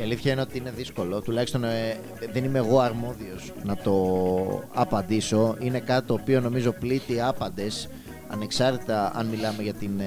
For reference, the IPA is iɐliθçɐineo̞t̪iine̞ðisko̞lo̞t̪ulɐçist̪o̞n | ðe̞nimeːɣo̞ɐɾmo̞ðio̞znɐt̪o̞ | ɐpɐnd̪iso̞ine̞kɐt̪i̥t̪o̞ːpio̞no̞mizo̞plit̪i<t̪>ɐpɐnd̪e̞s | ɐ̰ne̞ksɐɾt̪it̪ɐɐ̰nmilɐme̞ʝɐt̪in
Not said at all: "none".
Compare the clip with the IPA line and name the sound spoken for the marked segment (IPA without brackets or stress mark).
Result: none